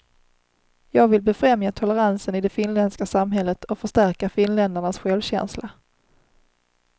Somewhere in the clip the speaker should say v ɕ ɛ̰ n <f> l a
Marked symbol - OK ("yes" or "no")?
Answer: no